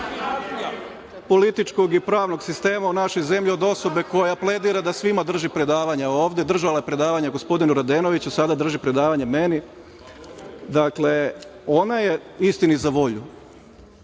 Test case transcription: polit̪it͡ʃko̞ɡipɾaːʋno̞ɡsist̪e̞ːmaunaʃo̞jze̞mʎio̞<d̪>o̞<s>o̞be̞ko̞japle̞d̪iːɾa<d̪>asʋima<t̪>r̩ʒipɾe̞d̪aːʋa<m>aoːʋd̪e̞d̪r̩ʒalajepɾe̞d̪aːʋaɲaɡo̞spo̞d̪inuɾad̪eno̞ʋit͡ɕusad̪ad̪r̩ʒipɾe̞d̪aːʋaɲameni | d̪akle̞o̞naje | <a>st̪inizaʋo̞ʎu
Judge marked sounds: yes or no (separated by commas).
yes, yes, yes, no, no, no